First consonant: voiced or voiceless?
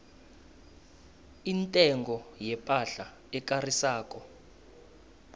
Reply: voiced